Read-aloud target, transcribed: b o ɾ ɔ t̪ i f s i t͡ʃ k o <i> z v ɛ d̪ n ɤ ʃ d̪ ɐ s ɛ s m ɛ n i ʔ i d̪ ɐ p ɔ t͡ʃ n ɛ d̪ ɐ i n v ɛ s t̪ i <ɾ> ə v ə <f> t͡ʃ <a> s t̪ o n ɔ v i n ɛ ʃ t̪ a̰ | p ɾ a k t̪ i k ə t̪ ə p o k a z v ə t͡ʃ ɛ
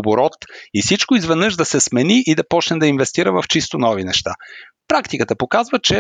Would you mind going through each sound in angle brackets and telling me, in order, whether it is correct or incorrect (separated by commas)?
correct, correct, correct, incorrect